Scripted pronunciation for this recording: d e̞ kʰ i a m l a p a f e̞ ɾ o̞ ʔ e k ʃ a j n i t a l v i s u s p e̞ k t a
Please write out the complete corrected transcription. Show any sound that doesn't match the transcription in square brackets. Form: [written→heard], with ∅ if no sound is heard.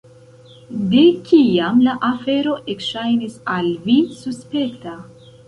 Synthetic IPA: d e̞ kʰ i a m l a [p→ʔ] a f e̞ ɾ o̞ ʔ e k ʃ a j n i [t→s] a l v i s u s p e̞ k t a